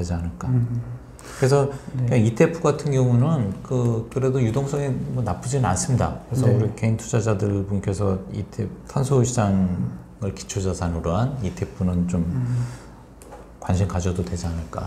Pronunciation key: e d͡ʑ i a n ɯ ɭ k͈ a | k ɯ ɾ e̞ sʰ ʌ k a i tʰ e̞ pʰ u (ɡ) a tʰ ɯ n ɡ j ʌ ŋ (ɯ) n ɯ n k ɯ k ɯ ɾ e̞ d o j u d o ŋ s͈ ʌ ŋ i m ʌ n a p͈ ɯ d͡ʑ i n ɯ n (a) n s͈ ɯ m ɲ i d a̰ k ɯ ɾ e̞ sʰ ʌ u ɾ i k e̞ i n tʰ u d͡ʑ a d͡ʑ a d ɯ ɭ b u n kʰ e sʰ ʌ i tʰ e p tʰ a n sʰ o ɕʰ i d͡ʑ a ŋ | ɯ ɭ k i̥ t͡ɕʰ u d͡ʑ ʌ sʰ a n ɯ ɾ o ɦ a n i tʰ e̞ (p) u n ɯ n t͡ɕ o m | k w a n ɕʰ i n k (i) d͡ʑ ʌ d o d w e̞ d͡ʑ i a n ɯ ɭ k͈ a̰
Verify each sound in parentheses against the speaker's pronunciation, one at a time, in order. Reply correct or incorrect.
correct, incorrect, correct, incorrect, incorrect

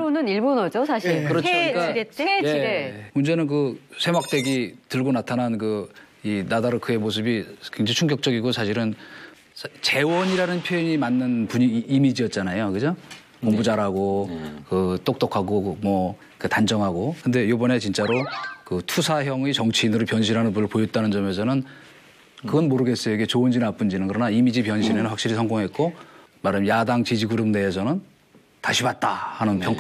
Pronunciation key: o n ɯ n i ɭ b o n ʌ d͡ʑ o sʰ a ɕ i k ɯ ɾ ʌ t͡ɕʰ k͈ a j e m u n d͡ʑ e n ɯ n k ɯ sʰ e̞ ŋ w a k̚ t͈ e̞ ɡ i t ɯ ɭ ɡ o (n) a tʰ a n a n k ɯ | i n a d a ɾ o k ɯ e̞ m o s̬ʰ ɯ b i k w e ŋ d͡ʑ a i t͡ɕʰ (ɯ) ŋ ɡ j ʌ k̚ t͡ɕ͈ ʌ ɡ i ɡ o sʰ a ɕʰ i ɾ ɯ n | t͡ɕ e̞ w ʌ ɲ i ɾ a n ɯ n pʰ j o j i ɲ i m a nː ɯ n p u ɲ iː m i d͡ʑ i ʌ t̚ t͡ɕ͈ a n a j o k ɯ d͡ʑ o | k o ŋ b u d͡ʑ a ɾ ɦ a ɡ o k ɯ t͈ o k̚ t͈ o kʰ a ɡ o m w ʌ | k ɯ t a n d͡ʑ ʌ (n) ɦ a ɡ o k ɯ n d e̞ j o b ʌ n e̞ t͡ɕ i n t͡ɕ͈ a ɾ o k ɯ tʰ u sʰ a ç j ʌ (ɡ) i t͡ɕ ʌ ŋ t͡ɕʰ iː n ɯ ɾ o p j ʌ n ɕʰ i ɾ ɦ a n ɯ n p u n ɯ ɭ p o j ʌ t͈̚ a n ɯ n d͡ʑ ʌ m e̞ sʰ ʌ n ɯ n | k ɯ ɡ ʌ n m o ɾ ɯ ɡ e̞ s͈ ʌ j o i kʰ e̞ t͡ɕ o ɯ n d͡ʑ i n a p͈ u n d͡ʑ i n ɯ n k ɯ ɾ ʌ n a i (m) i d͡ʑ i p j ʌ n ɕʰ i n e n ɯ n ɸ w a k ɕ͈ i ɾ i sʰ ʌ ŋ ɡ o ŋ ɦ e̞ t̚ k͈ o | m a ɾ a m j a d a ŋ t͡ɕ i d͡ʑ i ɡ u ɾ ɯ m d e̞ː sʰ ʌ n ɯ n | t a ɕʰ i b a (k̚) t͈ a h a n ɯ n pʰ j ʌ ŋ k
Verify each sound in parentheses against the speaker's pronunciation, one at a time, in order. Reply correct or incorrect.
correct, incorrect, incorrect, incorrect, correct, incorrect

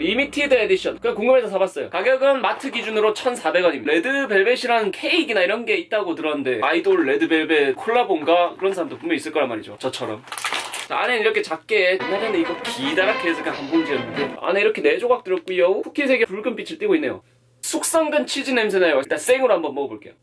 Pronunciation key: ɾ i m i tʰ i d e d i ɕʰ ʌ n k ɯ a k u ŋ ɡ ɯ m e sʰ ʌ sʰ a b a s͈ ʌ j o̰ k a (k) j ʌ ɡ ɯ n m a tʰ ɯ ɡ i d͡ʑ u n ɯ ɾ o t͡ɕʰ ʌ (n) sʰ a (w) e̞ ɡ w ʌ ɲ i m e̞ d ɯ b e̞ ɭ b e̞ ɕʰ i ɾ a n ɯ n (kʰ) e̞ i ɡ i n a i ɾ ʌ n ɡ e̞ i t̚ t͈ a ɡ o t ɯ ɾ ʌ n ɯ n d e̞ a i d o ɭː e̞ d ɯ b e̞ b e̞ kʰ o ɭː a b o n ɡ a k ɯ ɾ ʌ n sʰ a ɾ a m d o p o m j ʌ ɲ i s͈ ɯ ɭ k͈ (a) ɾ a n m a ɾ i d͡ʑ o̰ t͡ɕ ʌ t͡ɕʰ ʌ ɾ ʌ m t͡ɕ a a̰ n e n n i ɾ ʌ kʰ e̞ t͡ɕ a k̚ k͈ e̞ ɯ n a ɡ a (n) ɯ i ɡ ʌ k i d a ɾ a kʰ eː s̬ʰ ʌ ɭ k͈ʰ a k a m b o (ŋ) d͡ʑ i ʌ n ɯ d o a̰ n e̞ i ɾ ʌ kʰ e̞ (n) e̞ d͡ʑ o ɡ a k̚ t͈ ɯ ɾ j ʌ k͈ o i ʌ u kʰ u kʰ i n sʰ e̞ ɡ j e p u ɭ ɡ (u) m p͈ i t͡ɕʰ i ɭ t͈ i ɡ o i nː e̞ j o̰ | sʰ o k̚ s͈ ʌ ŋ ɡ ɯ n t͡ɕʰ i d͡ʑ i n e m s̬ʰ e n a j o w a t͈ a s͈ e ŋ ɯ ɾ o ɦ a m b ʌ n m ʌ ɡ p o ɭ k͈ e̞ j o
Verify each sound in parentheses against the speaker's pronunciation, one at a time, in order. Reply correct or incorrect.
incorrect, correct, incorrect, correct, incorrect, correct, correct, correct, incorrect

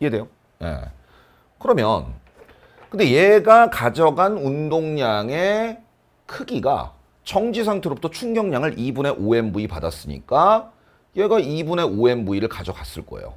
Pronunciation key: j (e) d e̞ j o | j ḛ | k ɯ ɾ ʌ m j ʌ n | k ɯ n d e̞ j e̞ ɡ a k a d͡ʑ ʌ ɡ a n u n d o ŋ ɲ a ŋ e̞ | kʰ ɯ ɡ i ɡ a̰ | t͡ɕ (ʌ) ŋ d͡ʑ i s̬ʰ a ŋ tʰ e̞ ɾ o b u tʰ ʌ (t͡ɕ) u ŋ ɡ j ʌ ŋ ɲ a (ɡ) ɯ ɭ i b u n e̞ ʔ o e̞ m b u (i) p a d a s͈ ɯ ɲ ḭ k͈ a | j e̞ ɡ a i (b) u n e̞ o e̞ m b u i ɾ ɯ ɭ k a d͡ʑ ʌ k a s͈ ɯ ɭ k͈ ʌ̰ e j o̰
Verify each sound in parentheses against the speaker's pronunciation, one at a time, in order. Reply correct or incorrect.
correct, correct, incorrect, incorrect, correct, correct

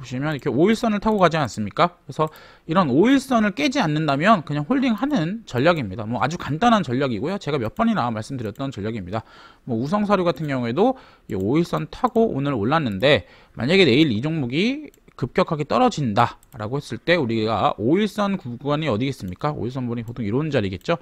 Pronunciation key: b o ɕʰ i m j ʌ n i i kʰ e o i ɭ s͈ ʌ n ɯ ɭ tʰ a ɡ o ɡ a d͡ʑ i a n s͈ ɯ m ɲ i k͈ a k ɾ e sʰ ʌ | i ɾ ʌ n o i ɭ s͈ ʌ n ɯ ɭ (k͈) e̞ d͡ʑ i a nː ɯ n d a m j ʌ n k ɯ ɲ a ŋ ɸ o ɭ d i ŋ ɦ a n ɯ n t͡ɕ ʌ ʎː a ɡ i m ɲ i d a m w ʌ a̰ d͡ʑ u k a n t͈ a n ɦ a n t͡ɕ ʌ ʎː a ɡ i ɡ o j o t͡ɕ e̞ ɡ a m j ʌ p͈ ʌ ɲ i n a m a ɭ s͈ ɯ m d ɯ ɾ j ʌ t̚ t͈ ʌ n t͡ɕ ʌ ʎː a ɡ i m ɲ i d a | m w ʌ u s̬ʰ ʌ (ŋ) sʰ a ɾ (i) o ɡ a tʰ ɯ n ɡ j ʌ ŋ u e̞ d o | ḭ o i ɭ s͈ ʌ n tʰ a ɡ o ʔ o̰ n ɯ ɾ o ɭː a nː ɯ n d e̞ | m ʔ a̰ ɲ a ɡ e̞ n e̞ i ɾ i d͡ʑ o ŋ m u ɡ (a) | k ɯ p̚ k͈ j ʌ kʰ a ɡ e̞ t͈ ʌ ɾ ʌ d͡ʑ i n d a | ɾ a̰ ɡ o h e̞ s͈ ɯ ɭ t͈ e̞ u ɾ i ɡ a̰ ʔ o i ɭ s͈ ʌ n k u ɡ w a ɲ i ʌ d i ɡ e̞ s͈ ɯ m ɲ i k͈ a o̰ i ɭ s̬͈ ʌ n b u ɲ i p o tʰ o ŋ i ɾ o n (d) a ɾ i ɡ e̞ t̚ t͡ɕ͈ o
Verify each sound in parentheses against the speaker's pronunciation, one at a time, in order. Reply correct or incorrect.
correct, correct, incorrect, incorrect, incorrect

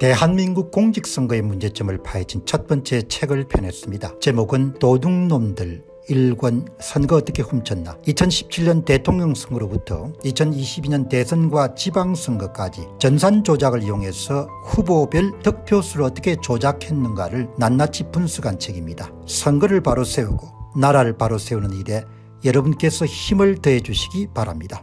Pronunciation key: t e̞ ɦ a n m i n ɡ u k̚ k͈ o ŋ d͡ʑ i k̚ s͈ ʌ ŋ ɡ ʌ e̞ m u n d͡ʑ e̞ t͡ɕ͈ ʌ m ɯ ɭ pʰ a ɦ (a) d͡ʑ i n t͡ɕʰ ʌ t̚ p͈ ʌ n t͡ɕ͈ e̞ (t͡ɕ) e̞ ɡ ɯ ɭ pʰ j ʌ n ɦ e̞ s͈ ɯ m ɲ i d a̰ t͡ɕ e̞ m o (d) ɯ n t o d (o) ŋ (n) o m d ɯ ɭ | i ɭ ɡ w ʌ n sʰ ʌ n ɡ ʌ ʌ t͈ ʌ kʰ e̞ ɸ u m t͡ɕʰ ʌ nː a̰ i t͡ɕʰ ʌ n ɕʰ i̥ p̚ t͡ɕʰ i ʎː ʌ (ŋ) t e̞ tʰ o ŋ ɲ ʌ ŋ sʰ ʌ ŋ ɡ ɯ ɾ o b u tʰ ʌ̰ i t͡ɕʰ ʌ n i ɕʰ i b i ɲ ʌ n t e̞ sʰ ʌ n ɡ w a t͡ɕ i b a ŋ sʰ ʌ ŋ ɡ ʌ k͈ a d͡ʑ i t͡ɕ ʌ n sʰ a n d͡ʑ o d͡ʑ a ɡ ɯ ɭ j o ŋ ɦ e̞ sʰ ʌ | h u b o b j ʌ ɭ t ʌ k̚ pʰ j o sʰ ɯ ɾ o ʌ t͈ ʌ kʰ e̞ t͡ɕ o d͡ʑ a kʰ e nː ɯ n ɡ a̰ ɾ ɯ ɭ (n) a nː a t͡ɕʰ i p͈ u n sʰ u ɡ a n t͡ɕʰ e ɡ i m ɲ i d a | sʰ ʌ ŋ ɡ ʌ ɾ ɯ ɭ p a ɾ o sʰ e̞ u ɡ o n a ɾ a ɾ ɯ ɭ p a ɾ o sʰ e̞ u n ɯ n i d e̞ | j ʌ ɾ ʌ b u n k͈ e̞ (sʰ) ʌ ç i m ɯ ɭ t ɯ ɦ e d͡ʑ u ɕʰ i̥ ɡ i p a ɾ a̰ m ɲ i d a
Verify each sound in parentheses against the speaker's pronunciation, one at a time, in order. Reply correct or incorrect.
incorrect, incorrect, incorrect, incorrect, correct, incorrect, correct, correct

